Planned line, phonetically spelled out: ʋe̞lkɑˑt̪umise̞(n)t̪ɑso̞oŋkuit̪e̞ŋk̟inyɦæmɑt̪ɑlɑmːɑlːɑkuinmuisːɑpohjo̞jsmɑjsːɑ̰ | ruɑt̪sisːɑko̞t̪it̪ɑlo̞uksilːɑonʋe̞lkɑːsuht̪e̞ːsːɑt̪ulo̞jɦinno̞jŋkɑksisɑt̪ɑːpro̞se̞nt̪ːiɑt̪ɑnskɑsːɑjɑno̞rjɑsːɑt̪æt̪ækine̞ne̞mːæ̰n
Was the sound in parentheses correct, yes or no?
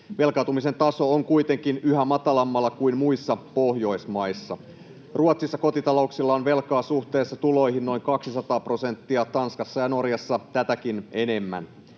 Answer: yes